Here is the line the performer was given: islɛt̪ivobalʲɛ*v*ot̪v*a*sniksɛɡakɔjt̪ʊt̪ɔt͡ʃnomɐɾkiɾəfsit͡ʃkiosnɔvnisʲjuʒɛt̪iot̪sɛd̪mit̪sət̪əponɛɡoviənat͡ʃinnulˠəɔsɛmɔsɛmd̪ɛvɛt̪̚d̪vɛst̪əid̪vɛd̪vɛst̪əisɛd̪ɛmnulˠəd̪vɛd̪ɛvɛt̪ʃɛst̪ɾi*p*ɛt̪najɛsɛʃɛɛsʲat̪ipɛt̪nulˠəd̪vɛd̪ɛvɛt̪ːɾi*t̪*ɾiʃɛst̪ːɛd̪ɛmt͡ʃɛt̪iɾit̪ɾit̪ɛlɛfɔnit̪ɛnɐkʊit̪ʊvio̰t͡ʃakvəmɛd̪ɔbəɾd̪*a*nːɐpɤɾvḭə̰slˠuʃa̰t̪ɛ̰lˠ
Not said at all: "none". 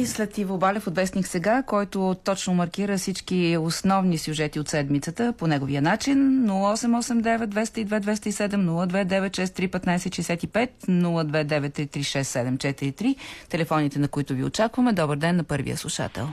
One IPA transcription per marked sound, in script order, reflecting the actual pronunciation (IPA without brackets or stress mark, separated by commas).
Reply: f, ɛ, p, t̪, ɛ